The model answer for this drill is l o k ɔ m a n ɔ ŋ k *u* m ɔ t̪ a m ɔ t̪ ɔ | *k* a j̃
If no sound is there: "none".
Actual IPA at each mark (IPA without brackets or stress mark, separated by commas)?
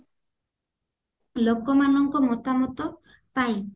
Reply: ɔ, p